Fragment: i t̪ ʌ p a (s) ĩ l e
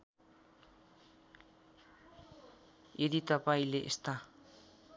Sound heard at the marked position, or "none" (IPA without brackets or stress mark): none